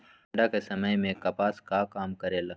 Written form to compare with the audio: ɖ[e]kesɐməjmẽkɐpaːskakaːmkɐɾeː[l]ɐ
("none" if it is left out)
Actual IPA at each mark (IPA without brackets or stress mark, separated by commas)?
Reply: a, l